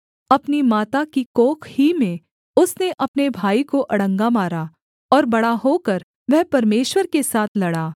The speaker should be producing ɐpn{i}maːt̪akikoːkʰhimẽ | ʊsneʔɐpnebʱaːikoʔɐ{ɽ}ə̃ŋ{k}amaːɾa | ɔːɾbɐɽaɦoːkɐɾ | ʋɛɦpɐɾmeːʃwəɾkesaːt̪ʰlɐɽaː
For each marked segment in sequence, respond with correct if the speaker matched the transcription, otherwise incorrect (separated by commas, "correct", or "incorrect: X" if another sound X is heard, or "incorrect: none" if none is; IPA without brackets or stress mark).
correct, correct, incorrect: ɡ